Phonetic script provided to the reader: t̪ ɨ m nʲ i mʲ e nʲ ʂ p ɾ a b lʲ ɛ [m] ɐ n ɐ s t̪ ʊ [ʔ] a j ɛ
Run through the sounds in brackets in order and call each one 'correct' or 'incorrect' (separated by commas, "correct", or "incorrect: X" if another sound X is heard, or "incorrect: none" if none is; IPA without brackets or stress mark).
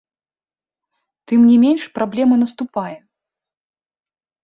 correct, incorrect: p